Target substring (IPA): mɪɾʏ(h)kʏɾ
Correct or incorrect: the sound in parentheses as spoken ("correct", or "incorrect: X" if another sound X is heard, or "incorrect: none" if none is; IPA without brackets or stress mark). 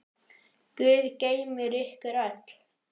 correct